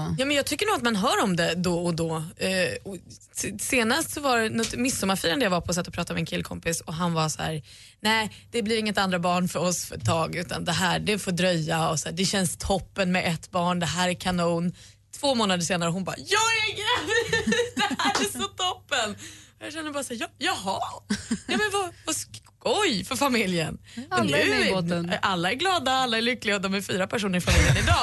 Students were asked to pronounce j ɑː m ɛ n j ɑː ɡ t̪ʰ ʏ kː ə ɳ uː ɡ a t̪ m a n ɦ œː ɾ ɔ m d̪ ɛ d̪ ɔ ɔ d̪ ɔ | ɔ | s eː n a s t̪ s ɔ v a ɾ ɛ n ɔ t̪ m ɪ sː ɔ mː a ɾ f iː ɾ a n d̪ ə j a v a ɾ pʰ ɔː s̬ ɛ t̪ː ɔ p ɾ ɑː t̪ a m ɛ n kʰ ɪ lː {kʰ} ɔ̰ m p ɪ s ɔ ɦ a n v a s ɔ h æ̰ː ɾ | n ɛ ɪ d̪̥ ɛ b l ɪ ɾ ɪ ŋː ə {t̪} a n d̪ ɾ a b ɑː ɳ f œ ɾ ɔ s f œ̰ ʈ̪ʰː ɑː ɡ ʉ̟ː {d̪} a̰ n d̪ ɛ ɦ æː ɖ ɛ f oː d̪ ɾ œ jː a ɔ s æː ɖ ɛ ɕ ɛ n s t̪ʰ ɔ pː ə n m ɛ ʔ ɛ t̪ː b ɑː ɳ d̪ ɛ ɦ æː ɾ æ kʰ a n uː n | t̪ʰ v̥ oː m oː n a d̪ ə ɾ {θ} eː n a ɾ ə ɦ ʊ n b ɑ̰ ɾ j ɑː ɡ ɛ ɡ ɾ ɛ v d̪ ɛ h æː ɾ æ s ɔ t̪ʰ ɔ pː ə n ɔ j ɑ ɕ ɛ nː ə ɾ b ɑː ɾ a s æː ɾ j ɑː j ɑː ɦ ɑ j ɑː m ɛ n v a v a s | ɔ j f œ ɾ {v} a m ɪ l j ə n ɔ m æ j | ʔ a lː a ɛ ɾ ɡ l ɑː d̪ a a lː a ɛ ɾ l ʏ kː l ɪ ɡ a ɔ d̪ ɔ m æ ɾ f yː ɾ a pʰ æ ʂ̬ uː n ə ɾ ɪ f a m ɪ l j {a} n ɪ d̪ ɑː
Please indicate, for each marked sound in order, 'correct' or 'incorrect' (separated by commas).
correct, correct, incorrect, incorrect, incorrect, incorrect